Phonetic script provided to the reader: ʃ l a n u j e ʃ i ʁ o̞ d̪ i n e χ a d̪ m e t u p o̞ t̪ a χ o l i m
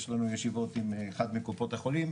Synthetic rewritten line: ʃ l a n u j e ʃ i v o̞ t̪ i m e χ a d̪ m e k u p o̞ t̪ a χ o l i m